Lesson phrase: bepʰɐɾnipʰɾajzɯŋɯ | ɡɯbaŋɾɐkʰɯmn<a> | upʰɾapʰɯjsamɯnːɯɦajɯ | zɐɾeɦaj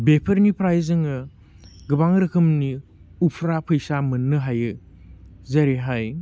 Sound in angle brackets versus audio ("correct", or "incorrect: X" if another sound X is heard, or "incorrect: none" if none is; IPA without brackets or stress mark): incorrect: i